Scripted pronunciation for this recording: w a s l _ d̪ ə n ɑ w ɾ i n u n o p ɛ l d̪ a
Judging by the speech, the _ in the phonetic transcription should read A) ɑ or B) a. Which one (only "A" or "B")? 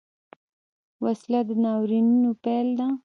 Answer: B